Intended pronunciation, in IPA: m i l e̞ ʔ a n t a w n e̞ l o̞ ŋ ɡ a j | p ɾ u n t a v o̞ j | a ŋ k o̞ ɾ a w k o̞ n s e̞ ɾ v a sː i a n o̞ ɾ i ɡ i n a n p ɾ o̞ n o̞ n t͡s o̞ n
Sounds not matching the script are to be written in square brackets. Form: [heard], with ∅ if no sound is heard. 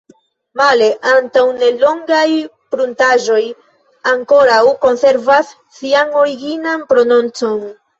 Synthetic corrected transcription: m [a] l e̞ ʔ a n t a w n e̞ l o̞ ŋ ɡ a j | p ɾ u n t a [ʒ] o̞ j | a ŋ k o̞ ɾ a w k o̞ n s e̞ ɾ v a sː i a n o̞ ɾ i ɡ i n a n p ɾ o̞ n o̞ n t͡s o̞ n